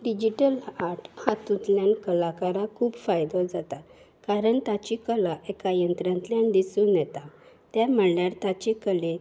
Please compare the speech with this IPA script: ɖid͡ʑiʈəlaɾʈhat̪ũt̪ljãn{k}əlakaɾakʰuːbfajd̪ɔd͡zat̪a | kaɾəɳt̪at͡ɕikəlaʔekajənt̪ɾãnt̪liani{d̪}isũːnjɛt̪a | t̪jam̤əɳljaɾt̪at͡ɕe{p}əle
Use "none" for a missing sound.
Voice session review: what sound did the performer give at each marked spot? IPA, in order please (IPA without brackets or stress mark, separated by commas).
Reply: k, d̪, k